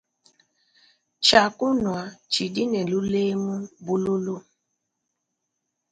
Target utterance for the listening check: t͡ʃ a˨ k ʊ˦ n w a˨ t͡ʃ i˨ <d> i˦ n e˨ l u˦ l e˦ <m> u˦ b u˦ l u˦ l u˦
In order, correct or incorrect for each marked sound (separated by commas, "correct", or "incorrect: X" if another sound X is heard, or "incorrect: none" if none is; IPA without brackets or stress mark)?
correct, correct